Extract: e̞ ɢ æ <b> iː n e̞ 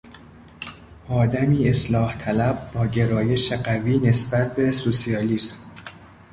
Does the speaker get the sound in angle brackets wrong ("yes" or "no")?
yes